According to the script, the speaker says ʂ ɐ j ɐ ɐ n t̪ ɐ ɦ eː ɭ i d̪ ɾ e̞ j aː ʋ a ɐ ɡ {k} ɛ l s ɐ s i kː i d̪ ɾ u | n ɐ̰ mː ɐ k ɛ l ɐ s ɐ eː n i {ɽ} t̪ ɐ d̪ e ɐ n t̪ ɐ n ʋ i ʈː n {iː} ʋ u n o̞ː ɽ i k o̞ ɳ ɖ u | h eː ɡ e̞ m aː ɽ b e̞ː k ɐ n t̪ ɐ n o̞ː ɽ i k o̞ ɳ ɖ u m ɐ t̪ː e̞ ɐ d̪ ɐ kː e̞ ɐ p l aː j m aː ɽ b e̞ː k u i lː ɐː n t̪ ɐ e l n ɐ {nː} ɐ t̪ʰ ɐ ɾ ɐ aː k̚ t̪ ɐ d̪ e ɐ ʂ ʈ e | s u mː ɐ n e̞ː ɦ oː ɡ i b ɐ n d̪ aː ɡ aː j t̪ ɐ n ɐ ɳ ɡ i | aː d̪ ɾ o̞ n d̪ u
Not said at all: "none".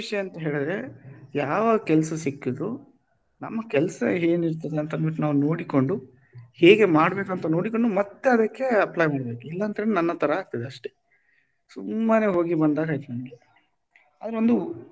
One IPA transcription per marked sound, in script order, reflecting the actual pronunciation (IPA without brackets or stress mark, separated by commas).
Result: k, ɾ, aː, nː